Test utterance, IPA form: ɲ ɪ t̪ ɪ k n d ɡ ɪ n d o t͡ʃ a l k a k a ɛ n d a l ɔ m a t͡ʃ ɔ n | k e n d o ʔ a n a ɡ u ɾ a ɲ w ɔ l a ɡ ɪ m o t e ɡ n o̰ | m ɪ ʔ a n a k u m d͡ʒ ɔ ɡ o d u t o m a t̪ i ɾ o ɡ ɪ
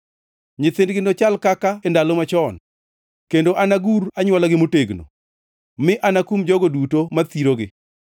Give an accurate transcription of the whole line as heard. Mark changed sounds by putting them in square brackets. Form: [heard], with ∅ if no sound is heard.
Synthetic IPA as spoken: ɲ ɪ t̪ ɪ [∅] n d ɡ ɪ n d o t͡ʃ a l k a k a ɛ n d a l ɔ m a t͡ʃ ɔ n | k e n d o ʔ a n a ɡ u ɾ a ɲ w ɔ l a ɡ ɪ m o t e ɡ n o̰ | m ɪ ʔ a n a k u m d͡ʒ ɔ ɡ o d u t o m a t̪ i ɾ o ɡ ɪ